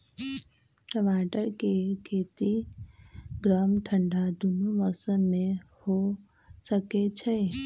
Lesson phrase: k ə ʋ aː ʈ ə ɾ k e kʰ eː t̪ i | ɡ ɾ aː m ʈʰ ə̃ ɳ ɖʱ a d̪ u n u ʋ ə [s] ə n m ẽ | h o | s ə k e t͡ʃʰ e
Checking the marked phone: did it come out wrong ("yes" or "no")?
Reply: no